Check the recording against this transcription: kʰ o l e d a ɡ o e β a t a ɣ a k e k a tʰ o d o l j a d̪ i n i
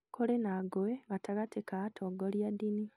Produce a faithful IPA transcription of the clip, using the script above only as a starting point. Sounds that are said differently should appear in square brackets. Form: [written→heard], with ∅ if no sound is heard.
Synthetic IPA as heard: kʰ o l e [d→n] a ɡ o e β a t a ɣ a [k→t] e k a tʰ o [d→ɡ] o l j a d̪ i n i